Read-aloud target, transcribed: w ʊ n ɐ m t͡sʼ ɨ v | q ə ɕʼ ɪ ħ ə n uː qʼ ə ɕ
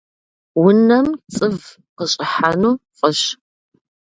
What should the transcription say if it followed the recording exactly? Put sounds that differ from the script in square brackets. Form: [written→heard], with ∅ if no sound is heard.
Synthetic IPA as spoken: w ʊ n ɐ m t͡sʼ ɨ v | q ə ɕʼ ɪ ħ [ə→a] n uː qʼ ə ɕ